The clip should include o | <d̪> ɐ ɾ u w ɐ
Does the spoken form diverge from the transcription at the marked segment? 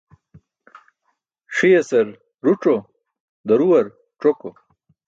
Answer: no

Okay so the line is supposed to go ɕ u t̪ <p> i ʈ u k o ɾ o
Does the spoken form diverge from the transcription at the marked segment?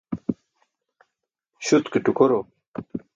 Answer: yes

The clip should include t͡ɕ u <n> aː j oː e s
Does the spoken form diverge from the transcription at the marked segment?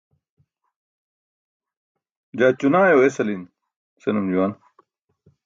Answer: no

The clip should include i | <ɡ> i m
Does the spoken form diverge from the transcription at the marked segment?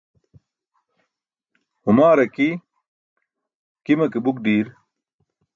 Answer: yes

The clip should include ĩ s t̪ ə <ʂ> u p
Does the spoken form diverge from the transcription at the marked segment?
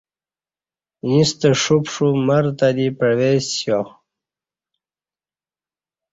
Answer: no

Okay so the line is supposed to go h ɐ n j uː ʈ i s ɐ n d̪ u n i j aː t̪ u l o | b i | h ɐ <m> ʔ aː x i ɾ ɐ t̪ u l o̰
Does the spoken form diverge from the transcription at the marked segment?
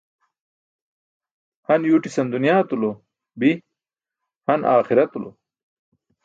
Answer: yes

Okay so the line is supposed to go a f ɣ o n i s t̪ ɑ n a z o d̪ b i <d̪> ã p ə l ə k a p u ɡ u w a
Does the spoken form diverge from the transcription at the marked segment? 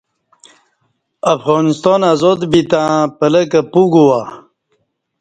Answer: yes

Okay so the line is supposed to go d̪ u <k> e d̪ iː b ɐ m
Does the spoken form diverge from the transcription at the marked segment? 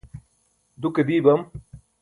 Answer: no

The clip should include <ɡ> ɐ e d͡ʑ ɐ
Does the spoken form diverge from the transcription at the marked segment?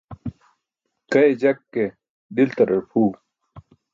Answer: yes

